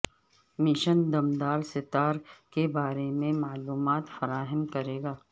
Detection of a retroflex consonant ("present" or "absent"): absent